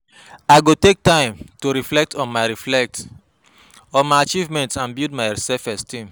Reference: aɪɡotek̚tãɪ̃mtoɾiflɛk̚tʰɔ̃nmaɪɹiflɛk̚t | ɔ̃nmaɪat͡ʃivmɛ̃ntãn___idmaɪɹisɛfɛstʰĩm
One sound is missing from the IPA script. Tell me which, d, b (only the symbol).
b